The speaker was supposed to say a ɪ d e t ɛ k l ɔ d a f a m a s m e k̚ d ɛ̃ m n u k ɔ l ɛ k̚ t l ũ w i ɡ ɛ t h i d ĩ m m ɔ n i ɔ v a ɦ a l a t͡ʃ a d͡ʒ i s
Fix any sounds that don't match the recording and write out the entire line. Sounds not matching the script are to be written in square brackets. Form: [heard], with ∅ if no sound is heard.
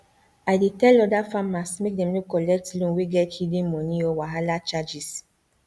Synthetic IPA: a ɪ d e t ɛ [∅] l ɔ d a f a m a s m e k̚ d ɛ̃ m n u k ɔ l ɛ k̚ t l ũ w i ɡ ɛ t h i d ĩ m m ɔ n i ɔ [w] a ɦ a l a t͡ʃ a d͡ʒ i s